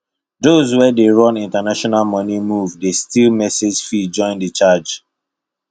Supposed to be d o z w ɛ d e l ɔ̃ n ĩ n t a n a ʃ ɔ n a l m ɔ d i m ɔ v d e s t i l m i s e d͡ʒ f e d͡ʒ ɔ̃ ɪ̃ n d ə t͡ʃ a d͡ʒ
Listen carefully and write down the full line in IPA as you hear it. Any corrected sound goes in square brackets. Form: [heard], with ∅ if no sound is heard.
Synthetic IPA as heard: d o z w ɛ d e [ɹ] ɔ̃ n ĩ n t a n a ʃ ɔ n a l m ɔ [n] i m [u] v d e s t i l m [ɛ] s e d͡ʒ f [i] d͡ʒ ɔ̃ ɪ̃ n d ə t͡ʃ a d͡ʒ